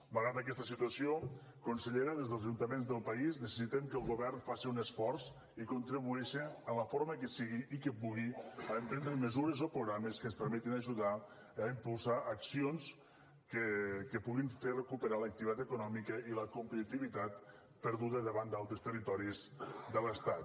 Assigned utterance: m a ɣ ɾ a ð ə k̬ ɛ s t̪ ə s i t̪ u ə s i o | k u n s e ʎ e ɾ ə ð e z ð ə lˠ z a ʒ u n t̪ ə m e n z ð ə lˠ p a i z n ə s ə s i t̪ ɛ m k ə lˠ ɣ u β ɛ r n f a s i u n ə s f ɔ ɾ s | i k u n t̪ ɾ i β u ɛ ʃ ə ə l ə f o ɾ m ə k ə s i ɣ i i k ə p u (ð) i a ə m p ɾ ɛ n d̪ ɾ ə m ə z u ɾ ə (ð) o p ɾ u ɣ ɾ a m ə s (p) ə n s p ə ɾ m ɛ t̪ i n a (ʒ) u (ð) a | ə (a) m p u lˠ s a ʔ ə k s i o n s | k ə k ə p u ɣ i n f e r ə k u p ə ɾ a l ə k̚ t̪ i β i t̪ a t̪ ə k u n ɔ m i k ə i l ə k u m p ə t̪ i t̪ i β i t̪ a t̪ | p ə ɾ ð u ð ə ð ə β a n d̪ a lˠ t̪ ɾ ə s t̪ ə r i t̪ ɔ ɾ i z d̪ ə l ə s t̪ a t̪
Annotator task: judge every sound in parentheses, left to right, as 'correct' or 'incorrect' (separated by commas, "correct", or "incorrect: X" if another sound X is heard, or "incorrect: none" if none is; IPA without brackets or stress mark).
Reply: incorrect: ɣ, incorrect: z, incorrect: k, correct, correct, incorrect: i